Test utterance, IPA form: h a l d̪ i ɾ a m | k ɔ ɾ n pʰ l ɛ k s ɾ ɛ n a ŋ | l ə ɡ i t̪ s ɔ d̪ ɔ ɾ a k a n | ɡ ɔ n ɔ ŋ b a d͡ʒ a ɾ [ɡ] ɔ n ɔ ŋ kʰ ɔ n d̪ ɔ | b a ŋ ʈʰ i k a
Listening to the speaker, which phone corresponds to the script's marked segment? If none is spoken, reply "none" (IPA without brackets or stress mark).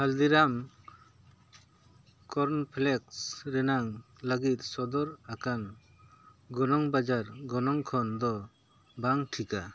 ɡ